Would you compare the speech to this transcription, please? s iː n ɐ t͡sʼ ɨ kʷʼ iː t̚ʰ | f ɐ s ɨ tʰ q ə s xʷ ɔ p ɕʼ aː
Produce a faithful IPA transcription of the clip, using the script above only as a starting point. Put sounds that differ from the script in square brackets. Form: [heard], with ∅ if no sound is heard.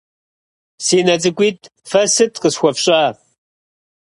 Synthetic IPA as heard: s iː n ɐ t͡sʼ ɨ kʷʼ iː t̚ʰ | f ɐ s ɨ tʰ q ə s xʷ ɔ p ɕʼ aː

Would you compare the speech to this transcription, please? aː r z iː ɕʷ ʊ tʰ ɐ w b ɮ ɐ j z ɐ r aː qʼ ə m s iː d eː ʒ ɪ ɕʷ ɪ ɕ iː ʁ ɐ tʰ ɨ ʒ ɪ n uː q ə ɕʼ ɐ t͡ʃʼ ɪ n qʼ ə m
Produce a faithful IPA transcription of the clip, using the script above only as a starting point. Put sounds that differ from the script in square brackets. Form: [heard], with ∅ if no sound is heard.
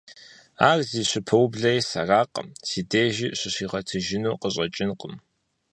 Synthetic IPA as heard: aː r z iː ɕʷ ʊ [pʰ] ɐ w b ɮ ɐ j [s] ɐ r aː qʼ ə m s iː d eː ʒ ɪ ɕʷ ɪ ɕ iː ʁ ɐ tʰ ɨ ʒ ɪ n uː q ə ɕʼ ɐ t͡ʃʼ ɪ n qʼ ə m

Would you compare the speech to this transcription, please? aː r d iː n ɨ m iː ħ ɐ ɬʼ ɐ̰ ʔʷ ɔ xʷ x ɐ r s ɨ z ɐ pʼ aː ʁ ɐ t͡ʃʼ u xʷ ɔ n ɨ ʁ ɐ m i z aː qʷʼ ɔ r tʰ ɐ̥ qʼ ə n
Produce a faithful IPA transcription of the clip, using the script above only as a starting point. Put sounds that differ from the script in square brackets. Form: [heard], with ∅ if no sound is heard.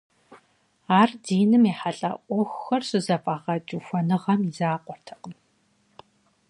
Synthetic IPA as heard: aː r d iː n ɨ m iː ħ [a] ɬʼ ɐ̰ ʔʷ ɔ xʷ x ɐ r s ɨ z ɐ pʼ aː ʁ ɐ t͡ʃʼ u xʷ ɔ n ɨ ʁ ɐ m i z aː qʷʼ ɔ r tʰ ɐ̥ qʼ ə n

